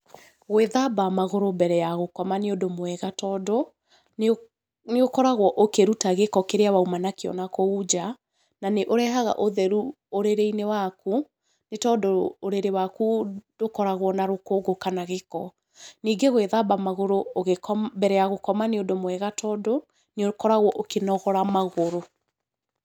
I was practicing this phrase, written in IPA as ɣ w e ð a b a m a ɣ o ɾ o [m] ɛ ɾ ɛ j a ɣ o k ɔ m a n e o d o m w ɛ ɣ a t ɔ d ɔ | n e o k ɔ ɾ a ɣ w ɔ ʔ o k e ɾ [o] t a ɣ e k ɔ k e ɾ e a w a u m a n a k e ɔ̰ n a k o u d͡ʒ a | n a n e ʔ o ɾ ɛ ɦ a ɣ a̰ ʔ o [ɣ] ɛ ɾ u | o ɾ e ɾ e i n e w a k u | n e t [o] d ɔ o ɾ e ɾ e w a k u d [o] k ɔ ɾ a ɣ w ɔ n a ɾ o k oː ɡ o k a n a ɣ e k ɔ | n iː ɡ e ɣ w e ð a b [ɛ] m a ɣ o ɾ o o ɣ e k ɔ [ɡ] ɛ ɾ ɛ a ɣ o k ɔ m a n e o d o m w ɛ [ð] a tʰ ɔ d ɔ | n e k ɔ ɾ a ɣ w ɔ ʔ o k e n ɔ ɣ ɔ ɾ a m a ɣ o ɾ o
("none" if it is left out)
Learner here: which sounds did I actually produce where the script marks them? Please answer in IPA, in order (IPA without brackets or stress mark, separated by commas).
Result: b, u, ð, ɔ, o, a, b, ɣ